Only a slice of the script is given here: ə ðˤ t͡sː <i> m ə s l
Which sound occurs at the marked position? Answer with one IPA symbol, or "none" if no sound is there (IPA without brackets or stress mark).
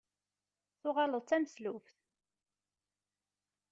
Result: æ